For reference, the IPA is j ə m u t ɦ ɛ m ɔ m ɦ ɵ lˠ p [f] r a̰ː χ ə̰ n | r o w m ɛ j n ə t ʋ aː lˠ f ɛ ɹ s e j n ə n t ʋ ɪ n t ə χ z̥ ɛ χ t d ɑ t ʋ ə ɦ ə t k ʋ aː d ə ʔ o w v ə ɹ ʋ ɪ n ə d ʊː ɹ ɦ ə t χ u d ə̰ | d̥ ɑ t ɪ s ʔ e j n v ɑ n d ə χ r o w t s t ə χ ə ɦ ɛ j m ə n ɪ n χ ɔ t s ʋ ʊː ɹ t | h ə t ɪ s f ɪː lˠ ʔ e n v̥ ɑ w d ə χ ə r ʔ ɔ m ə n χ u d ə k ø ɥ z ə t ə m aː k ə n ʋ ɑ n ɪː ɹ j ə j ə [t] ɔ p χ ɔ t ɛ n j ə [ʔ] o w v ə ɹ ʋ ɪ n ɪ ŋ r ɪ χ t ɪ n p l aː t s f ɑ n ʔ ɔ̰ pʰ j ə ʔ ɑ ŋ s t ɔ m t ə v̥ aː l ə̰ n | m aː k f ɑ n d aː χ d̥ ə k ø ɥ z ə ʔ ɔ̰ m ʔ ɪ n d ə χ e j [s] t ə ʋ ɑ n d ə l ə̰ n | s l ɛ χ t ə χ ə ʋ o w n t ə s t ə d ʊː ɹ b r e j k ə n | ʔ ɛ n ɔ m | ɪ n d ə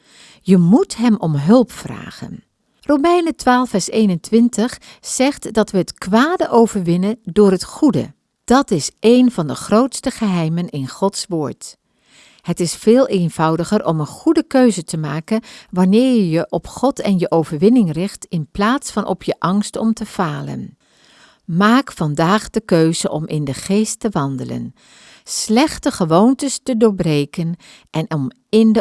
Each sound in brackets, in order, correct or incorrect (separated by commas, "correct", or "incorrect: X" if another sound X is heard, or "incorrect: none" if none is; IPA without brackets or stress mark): correct, incorrect: ʔ, correct, correct